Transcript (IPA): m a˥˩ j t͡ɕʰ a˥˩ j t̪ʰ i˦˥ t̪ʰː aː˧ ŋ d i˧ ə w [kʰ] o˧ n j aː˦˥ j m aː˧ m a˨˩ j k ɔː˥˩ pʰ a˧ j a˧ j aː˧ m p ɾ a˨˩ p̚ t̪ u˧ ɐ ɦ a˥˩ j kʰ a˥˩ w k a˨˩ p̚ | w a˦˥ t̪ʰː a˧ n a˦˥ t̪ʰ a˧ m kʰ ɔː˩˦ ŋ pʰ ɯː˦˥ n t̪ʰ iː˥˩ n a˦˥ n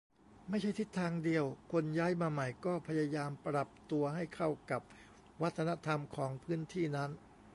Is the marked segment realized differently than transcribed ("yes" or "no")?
no